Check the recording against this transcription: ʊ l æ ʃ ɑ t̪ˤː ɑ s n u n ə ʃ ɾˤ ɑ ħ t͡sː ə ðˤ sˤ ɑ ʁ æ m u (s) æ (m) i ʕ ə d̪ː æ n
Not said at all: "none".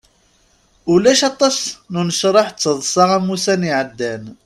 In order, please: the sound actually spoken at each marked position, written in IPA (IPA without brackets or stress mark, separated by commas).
s, n